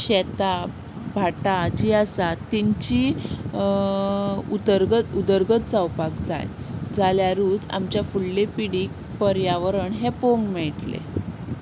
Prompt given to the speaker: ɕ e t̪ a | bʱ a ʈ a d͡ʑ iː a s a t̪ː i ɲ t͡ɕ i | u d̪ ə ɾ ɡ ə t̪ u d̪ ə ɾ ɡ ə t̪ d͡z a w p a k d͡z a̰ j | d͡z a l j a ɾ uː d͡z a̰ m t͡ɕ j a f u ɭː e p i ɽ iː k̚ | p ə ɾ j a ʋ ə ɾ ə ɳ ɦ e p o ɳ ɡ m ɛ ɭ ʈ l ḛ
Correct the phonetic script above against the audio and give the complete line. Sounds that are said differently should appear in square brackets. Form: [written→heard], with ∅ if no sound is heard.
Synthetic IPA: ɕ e t̪ a | bʱ a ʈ a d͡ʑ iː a s a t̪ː i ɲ t͡ɕ i | u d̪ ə ɾ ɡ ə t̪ u d̪ ə ɾ ɡ ə t̪ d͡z a w p a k d͡z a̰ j | d͡z a l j a ɾ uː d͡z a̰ m t͡ɕ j a f u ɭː e p i ɽ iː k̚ | p ə ɾ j a ʋ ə ɾ ə ɳ ɦ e p o [ɳ→ŋ] ɡ m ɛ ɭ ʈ l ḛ